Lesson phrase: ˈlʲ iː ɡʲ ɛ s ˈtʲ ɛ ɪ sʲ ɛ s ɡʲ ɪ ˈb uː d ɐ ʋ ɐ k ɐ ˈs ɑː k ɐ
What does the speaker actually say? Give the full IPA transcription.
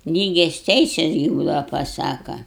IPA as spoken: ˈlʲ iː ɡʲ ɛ s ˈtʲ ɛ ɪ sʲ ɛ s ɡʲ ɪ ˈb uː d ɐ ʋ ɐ p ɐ ˈs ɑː k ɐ